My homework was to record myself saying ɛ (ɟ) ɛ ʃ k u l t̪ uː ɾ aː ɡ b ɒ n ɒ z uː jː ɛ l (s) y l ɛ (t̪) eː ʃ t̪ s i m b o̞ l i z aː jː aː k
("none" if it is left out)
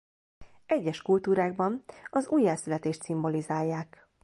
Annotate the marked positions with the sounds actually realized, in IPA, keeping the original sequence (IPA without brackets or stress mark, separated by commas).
ɟː, s, t̪